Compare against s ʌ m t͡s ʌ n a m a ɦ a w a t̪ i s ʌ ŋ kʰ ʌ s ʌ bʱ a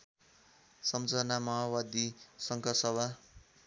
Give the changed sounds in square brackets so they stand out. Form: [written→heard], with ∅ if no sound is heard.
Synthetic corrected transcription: s ʌ m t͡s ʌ n a m [a→ʌ] ɦ a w a [t̪→d̪] i s ʌ ŋ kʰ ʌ s ʌ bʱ a